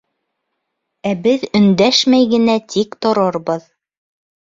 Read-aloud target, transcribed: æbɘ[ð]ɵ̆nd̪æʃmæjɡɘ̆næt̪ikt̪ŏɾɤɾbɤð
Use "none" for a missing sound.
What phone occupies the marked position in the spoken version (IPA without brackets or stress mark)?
ð